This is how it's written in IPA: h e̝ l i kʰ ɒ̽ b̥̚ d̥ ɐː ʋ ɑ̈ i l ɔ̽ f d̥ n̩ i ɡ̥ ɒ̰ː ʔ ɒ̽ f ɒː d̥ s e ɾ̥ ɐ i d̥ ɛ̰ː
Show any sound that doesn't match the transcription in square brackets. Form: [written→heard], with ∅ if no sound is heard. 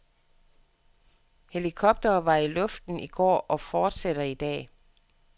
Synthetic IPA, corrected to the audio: h e̝ l i kʰ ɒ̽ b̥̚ d̥ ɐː ʋ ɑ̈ i l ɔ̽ f d̥ n̩ i ɡ̥ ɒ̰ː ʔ ɒ̽ f ɒː d̥ s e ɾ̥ ɐ i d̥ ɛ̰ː

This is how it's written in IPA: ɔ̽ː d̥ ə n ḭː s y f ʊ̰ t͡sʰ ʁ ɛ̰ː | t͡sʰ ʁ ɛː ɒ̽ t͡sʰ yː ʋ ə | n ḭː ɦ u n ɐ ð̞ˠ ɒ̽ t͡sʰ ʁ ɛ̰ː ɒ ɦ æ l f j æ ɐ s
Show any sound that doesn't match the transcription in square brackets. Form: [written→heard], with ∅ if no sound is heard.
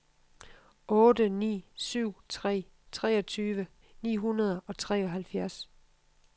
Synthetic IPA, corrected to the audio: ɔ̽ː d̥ ə n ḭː s y [f→∅] ʊ̰ t͡sʰ ʁ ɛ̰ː | t͡sʰ ʁ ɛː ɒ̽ t͡sʰ yː ʋ ə | n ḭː ɦ u n ɐ ð̞ˠ ɒ̽ t͡sʰ ʁ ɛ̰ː ɒ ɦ æ l f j æ ɐ s

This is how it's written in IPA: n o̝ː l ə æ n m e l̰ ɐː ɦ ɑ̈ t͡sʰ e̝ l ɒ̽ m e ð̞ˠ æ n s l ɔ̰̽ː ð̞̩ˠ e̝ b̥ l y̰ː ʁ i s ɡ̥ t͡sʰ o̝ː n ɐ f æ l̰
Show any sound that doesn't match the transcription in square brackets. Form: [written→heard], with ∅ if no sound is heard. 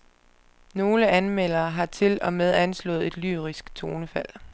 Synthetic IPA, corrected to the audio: n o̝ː l ə æ n m e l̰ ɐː ɦ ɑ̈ t͡sʰ e̝ l ɒ̽ m e ð̞ˠ æ n s l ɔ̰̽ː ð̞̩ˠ e̝ [b̥→d̥] l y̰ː ʁ i s ɡ̥ t͡sʰ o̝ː n [ɐ→ə] f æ l̰

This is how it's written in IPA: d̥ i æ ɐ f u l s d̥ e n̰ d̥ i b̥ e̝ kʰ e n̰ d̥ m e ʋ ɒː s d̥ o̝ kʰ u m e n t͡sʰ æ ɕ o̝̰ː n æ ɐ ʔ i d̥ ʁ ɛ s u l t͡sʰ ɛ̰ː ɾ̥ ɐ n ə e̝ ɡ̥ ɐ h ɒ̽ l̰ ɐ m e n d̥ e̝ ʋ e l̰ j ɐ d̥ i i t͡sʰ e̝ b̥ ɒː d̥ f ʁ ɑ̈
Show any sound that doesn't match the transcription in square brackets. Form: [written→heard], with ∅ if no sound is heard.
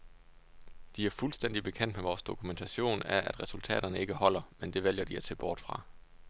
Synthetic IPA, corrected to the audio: d̥ i æ ɐ f u l s d̥ e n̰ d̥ i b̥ e̝ kʰ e n̰ d̥ m e ʋ ɒː s d̥ o̝ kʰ u m e n t͡sʰ æ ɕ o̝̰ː n æ ɐ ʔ [i→æ] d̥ ʁ ɛ s u l t͡sʰ ɛ̰ː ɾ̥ ɐ n ə e̝ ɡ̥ [ɐ→ə] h ɒ̽ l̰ ɐ m e n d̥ e̝ ʋ e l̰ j ɐ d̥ i [i→æ] t͡sʰ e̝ b̥ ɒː d̥ f ʁ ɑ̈

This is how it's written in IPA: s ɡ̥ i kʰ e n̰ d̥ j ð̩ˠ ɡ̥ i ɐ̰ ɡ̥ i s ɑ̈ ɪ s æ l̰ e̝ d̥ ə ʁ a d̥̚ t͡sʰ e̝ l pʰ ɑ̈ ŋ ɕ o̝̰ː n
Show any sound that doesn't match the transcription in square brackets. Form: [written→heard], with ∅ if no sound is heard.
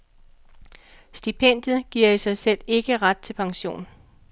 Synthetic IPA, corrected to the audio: s [ɡ̥→d̥] i [kʰ→pʰ] e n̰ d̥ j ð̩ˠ ɡ̥ i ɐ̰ [ɡ̥→∅] i s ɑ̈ ɪ s [æ→e] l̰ e̝ [d̥→ɡ̥] ə ʁ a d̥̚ t͡sʰ e̝ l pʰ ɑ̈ ŋ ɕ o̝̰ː n

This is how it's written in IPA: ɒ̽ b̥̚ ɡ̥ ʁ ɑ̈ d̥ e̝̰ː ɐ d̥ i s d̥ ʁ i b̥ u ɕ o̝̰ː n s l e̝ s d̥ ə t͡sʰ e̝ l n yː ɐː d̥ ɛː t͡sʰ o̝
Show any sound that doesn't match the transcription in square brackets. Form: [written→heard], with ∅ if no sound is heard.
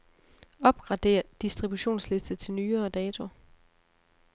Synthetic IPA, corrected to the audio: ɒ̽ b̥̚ ɡ̥ ʁ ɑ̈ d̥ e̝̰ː ɐ d̥ i s d̥ ʁ i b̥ u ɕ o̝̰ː n s l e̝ s d̥ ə t͡sʰ e̝ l n yː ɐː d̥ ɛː t͡sʰ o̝

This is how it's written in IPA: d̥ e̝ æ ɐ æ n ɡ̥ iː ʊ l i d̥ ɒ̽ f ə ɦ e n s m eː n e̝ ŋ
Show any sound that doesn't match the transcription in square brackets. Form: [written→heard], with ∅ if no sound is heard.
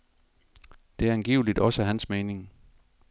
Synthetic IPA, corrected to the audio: d̥ e̝ æ ɐ æ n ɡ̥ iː ʊ l i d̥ ɒ̽ [f→s] ə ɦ [e→æ] n s m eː n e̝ ŋ

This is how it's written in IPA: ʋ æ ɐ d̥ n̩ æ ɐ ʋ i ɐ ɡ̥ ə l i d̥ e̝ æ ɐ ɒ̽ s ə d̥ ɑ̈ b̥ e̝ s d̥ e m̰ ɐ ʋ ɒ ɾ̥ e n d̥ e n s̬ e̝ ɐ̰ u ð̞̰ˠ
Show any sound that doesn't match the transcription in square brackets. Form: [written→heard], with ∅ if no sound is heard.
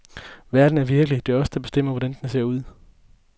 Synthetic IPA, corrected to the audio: ʋ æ ɐ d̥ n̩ æ ɐ ʋ i ɐ ɡ̥ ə l i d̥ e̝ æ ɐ ɒ̽ s ə d̥ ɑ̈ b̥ e̝ s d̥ e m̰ ɐ ʋ ɒ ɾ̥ [e→æ] n d̥ e n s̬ e̝ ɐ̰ u ð̞̰ˠ

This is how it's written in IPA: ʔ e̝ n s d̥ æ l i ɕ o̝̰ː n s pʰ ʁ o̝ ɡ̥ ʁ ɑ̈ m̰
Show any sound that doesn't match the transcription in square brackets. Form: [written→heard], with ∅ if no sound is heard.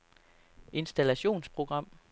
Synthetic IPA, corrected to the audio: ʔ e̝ n s d̥ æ l [i→æ] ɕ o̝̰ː n s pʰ ʁ o̝ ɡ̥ ʁ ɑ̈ m̰

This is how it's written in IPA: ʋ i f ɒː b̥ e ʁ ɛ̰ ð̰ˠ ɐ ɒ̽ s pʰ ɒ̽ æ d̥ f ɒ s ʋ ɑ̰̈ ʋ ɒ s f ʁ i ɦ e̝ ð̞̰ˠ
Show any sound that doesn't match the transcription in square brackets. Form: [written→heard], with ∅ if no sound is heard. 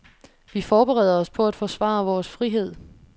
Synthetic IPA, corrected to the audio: ʋ i f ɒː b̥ e ʁ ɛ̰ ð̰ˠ ɐ ɒ̽ s pʰ ɒ̽ æ d̥ f ɒ s ʋ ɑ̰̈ ʋ [ɒ→ɒː] s f ʁ i ɦ e̝ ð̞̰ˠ

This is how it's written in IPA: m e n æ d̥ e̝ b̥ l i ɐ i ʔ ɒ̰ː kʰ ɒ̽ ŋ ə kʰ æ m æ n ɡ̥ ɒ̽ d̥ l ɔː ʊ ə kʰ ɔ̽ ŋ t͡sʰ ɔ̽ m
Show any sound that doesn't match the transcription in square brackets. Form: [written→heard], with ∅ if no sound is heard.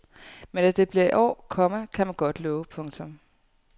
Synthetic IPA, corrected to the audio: m e n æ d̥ e̝ b̥ l i ɐ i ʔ ɒ̰ː kʰ ɒ̽ [ŋ→m] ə kʰ æ m æ n ɡ̥ ɒ̽ d̥ l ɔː ʊ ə [kʰ→pʰ] ɔ̽ ŋ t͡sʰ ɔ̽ m

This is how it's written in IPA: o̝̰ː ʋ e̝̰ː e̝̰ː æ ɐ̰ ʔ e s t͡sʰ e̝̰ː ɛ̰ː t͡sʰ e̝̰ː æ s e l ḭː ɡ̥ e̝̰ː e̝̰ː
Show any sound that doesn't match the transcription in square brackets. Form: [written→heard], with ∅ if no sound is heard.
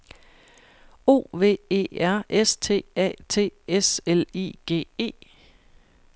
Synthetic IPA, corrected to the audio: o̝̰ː ʋ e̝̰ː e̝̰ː æ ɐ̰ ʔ e s t͡sʰ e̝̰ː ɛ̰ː t͡sʰ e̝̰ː [æ→e] s e l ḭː ɡ̥ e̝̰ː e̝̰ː

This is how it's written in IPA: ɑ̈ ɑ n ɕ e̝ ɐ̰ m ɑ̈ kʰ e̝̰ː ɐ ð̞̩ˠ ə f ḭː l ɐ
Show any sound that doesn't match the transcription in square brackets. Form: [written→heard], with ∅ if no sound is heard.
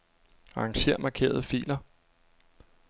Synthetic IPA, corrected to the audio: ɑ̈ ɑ [n→ŋ] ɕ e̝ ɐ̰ m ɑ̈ kʰ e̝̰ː ɐ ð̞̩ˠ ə f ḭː l ɐ

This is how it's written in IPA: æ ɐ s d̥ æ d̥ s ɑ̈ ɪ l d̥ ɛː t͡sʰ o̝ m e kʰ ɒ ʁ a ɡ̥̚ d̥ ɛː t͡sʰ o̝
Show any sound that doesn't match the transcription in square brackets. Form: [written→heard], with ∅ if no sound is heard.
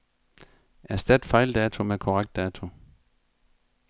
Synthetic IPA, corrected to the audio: æ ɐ s d̥ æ d̥ [s→f] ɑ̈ ɪ l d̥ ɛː t͡sʰ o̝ m e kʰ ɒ ʁ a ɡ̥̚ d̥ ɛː t͡sʰ o̝

